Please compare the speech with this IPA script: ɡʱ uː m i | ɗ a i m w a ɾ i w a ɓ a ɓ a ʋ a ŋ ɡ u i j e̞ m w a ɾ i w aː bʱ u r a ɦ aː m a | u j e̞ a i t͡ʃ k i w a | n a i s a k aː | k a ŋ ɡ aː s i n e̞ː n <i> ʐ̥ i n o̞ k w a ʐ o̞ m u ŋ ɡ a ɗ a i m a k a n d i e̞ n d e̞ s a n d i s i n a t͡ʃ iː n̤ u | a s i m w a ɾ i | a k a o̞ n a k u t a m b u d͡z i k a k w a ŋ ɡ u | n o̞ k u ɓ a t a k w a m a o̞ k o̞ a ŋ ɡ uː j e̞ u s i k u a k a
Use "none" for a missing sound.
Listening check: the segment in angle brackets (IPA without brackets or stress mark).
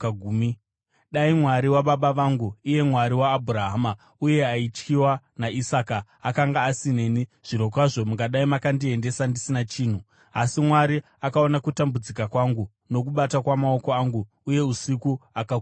i